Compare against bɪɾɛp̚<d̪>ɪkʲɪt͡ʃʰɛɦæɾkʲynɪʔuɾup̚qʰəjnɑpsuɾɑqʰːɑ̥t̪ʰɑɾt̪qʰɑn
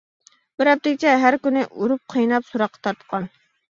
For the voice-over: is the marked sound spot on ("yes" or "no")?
no